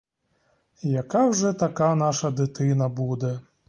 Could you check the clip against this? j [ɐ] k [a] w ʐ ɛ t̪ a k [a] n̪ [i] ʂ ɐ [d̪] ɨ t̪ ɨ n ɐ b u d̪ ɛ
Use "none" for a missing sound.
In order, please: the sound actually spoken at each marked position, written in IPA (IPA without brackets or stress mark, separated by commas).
a, a, a, a, d̪